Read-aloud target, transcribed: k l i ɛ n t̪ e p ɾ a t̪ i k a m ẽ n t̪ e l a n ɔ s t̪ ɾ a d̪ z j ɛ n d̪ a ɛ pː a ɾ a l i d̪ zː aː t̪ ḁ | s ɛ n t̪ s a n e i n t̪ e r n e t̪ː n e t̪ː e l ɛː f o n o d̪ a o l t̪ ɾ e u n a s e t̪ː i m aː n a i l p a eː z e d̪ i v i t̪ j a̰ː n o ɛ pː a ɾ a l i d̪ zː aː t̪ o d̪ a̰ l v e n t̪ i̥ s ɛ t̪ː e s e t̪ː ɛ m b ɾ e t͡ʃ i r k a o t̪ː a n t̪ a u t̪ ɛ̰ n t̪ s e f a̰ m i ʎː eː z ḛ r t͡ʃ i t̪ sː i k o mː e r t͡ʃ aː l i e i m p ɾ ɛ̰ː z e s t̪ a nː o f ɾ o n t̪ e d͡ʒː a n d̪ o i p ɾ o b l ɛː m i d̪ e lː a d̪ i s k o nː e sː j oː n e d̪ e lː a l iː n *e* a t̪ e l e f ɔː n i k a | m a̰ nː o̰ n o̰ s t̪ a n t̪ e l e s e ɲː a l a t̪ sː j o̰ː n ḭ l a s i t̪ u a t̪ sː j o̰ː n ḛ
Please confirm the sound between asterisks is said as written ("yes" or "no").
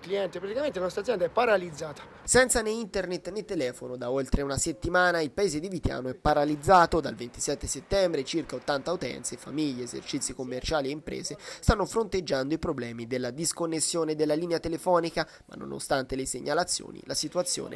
yes